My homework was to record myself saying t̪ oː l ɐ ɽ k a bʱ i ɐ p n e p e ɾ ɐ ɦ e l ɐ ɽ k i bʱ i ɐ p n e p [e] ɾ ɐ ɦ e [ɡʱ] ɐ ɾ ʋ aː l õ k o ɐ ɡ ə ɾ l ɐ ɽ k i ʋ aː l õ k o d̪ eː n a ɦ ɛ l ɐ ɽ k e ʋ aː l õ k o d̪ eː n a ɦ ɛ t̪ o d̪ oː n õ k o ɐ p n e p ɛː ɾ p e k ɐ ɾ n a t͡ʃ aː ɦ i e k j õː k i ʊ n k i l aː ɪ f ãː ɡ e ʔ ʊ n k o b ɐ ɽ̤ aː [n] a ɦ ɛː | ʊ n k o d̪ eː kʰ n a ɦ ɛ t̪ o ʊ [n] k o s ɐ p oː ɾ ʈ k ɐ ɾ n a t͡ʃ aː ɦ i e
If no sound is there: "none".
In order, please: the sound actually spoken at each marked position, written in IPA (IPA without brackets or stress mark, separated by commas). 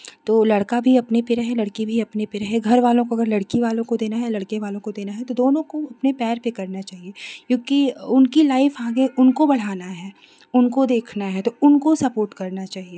e, ɡʱ, n, n